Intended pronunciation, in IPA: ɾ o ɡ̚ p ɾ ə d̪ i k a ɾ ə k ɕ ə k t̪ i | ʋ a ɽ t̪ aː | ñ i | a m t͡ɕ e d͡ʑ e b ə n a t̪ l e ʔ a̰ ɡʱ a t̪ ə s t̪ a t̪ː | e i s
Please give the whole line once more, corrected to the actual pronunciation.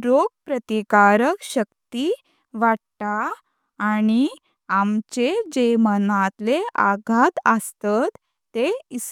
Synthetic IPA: ɾ o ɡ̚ p ɾ ə t̪ i k a ɾ ə k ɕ ə k t̪ i | ʋ a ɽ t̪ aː | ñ i | a m t͡ɕ e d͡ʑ e m ə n a t̪ l e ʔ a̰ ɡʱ a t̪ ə s t̪ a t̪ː | e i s